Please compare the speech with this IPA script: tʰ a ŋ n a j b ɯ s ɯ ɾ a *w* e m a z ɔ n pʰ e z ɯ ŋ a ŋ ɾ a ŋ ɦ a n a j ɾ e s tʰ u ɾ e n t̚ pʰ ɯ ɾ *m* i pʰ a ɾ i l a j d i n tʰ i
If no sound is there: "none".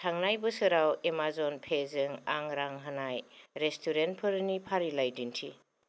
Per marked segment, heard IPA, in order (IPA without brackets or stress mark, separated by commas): w, n